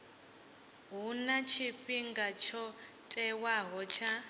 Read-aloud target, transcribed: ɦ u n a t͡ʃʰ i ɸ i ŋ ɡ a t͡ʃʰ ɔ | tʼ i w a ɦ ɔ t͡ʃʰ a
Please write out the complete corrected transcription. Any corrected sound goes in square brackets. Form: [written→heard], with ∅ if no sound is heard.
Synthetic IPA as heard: ɦ u n a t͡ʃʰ i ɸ i ŋ ɡ a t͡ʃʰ ɔ | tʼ [i→ɛ] w a ɦ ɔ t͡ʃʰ a